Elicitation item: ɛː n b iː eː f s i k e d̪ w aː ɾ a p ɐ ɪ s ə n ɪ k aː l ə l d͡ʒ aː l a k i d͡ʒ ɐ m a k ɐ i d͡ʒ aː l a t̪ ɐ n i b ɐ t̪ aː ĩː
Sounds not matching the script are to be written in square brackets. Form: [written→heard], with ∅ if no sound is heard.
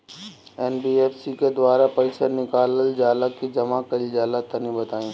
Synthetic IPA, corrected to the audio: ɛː n b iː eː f s i k e d̪ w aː ɾ a p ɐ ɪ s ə n ɪ k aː l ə l d͡ʒ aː l a k i d͡ʒ ɐ m a k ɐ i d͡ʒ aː l a t̪ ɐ n i b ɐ t̪ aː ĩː